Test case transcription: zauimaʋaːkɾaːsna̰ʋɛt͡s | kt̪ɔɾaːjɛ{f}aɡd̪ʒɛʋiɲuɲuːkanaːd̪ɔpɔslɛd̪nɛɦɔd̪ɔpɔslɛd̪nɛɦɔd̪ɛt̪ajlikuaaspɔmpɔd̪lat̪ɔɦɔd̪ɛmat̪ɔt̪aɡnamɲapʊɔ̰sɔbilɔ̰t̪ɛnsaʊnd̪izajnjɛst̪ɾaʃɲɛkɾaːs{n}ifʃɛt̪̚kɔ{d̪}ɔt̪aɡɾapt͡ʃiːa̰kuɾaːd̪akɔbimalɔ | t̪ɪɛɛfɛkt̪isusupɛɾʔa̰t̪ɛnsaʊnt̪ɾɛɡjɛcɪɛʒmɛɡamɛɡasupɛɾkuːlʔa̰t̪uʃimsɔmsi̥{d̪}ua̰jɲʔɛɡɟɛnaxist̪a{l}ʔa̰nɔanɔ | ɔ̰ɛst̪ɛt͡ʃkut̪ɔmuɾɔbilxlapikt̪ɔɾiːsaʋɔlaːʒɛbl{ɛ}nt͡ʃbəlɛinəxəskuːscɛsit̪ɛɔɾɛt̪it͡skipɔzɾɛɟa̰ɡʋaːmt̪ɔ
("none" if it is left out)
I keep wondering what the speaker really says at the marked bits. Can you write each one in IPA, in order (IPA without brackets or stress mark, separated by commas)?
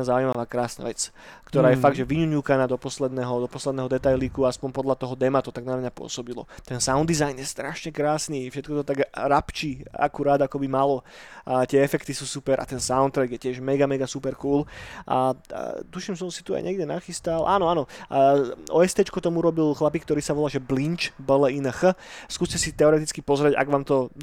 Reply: f, n, t̪, t̪, l, i